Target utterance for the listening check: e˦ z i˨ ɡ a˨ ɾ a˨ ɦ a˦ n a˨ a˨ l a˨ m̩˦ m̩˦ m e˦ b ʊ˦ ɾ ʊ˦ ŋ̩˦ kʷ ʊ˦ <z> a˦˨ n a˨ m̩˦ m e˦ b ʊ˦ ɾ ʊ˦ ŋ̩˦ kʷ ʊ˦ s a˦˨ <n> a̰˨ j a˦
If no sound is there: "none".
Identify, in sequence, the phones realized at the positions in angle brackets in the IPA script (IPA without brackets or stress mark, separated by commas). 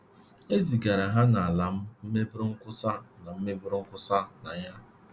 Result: s, n